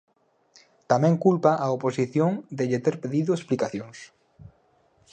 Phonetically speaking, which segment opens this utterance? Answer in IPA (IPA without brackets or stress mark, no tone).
t̪